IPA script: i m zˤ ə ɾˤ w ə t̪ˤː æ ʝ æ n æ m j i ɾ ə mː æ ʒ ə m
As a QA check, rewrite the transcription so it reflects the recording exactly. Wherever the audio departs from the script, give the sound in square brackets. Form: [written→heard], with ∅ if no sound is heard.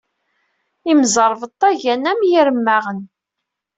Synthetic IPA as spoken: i m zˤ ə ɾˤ [w→v] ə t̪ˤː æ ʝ æ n æ m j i ɾ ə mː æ [ʒ→ʁ] ə [m→n]